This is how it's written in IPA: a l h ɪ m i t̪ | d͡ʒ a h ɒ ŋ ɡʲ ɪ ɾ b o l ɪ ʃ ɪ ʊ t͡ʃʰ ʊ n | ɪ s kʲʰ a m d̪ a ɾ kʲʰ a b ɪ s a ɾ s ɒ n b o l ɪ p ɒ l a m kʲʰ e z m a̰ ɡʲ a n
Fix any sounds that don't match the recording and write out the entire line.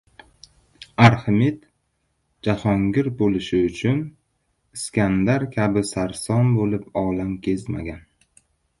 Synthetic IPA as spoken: a ɾ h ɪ m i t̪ | d͡ʒ a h ɒ ŋ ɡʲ ɪ ɾ b o l ɪ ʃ ɪ ʊ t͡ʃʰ ʊ n | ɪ s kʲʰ a n d̪ a ɾ kʲʰ a b ɪ s a ɾ s ɒ n b o l ɪ p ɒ l a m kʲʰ e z m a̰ ɡʲ a n

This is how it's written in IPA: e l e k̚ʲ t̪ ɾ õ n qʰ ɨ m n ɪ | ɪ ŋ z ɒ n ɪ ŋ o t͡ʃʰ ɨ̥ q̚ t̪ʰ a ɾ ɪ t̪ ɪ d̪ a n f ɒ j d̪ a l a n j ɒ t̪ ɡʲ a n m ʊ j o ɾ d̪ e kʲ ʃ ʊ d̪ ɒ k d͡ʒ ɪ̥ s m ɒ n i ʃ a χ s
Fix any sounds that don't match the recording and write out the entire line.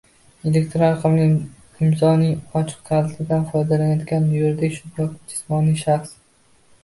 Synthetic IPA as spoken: e l e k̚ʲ t̪ ɾ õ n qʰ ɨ m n ɪ | ɪ m z ɒ n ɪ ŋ ɒ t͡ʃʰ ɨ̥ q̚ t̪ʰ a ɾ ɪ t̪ ɪ d̪ a n f ɒ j d̪ a l a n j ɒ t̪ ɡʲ a n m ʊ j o ɾ d̪ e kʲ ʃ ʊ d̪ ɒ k d͡ʒ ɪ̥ s m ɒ n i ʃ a χ s

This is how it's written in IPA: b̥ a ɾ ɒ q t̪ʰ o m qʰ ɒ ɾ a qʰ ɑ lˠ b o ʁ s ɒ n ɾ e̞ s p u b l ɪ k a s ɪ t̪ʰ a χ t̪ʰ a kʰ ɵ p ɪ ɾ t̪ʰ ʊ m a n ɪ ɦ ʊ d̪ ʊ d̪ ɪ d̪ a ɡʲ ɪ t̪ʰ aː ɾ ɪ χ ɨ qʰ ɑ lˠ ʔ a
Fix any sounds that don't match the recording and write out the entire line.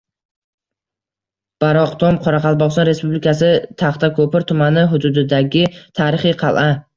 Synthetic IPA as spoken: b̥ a ɾ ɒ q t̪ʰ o m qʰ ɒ ɾ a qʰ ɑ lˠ b ɒ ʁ s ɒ n ɾ e̞ s p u b l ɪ k a s ɪ t̪ʰ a χ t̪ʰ a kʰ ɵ p ɪ ɾ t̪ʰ ʊ m a n ɪ ɦ ʊ d̪ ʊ d̪ ɪ d̪ a ɡʲ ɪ t̪ʰ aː ɾ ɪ χ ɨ qʰ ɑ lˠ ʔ a

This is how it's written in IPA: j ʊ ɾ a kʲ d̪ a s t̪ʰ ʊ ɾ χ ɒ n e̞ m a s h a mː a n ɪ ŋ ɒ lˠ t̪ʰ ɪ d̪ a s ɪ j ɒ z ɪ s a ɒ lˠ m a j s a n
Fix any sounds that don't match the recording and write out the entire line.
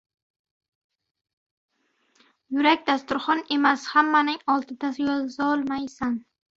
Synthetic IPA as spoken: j ʊ ɾ a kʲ d̪ a s t̪ ʊ ɾ χ ɒ n e̞ m a s h a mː a n ɪ ŋ ɒ lˠ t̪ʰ ɪ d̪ a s ɪ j ɒ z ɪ z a ɒ lˠ m a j s a n

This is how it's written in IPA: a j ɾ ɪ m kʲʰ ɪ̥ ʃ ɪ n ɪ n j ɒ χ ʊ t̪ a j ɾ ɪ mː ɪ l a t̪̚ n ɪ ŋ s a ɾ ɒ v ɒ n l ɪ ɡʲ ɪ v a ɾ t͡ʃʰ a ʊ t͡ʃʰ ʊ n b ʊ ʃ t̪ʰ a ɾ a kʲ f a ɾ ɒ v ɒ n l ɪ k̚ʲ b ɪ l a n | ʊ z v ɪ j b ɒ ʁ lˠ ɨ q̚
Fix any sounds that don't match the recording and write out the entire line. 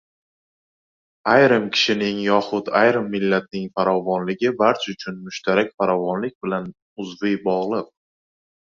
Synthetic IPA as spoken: a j ɾ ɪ m kʲʰ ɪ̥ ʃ ɪ n ɪ ŋ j ɒ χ ʊ t̪ a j ɾ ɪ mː ɪ lː a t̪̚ n ɪ ŋ f a ɾ ɒ v ɒ n l ɪ ɡʲ ɪ b a ɾ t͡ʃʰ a ʊ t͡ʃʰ ʊ n m ʊ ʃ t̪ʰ a ɾ a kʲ f a ɾ ɒ v ɒ n l ɪ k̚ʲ b ɪ l a n | ʊ z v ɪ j b ɒ ʁ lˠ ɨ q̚

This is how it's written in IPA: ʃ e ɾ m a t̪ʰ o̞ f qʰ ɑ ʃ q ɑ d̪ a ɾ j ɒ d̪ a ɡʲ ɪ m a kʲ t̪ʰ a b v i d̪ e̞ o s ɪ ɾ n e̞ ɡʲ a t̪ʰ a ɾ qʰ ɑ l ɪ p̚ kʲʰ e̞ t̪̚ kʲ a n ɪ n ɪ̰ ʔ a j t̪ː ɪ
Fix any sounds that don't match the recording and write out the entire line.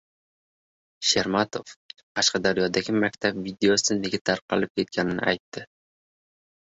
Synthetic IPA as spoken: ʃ e ɾ m a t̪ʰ o̞ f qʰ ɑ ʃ q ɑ d̪ a ɾ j ɒ d̪ a ɡʲ ɪ m a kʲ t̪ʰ a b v i d̪ e̞ o s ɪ n e̞ ɡʲ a t̪ʰ a ɾ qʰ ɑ l ɪ p̚ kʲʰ e̞ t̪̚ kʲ a n ɪ n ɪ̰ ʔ a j t̪ː ɪ

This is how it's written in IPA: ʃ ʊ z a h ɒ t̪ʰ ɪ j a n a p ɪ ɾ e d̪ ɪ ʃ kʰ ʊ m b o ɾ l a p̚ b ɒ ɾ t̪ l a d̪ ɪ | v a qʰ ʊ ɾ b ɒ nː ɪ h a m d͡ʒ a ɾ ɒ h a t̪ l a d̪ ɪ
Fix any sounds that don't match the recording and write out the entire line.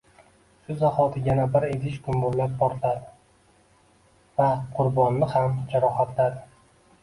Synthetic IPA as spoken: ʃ ʊ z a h ɒ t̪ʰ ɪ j a n a b ɪ ɾ e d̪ ɪ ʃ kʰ ʊ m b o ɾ l a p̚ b ɒ ɾ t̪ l a d̪ ɪ | v a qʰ ʊ ɾ b ɒ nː ɪ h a m d͡ʒ a ɾ ɒ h a t̪ l a d̪ ɪ

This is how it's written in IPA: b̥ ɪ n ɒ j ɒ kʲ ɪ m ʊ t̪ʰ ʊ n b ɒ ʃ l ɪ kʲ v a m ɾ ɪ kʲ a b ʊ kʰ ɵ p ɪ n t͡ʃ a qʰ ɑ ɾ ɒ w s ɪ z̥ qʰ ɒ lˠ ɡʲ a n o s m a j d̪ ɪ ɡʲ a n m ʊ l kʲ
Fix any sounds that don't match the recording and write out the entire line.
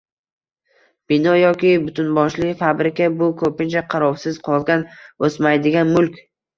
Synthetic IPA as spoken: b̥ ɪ n ɒ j ɒ kʲ ɪ b ʊ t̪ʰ ʊ n b ɒ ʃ l ɪ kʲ f a b ɾ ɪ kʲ a b ʊ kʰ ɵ p ɪ n t͡ʃ a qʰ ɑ ɾ ɒ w s ɪ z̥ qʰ ɒ lˠ ɡʲ a n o s m a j d̪ ɪ ɡʲ a n m ʊ l kʲ

